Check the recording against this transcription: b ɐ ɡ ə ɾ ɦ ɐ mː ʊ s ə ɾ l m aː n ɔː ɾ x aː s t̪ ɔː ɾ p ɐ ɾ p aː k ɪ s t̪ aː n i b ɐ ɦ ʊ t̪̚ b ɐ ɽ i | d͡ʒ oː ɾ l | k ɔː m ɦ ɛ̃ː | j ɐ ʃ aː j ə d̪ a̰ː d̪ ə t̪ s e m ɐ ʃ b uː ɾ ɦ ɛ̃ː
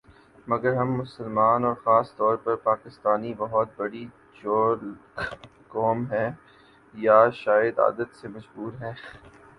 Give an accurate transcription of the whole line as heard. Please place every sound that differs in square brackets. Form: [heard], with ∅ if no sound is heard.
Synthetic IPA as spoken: [m] ɐ ɡ ə ɾ ɦ ɐ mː ʊ s ə [∅] l m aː n ɔː ɾ x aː s t̪ ɔː ɾ p ɐ ɾ p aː k ɪ s t̪ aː n i b ɐ ɦ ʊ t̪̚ b ɐ ɽ i | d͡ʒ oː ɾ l | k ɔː m ɦ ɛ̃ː | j [a] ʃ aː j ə d̪ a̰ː d̪ ə t̪ s e m ɐ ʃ b uː ɾ ɦ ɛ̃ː